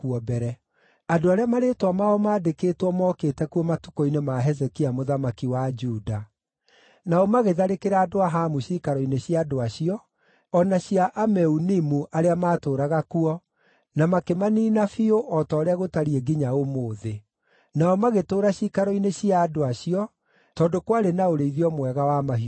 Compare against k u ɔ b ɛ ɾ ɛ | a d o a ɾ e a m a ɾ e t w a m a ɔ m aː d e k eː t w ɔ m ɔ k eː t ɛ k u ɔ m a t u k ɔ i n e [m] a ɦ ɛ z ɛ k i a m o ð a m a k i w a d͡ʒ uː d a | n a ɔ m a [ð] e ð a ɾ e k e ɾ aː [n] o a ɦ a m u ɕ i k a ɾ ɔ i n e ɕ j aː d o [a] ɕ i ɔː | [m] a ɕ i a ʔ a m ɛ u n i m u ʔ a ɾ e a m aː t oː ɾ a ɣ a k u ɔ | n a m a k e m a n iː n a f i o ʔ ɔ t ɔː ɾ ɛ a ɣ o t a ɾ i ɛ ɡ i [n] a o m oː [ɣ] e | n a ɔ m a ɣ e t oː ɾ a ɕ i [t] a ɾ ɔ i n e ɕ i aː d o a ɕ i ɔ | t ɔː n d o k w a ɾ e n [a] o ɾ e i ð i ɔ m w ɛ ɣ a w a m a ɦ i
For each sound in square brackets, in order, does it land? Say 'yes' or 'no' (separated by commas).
yes, no, no, yes, no, no, no, no, yes